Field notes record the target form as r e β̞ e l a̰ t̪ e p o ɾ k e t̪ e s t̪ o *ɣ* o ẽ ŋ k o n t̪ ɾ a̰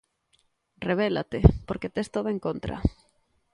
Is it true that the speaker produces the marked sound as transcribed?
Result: no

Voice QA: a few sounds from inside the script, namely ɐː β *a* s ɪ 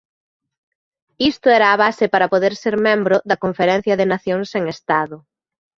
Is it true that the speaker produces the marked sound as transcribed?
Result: yes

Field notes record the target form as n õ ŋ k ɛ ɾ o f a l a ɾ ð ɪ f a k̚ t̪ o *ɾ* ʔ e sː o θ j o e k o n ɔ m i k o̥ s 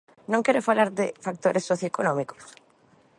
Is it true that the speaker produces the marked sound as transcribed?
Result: yes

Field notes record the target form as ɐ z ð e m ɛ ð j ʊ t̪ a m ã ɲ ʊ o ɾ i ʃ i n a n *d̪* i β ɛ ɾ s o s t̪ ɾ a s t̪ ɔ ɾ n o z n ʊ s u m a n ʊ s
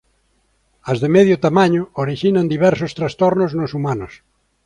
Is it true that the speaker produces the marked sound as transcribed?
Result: yes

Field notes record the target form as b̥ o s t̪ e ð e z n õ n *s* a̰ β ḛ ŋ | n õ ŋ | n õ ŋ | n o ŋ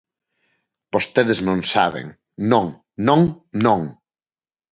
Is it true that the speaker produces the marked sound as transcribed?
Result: yes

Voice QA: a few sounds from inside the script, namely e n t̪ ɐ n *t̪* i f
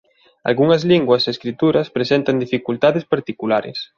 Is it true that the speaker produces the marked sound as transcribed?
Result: no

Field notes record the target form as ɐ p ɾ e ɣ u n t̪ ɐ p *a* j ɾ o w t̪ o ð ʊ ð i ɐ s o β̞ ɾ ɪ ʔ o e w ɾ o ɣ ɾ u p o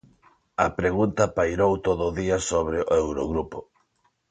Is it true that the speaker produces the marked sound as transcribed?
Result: yes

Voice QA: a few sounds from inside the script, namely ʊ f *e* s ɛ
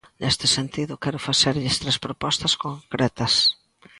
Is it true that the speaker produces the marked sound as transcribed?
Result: no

